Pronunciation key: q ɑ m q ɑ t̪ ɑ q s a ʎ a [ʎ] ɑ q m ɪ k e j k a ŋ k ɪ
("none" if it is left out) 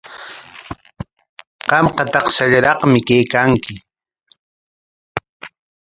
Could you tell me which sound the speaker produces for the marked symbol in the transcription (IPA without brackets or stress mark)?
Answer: ɾ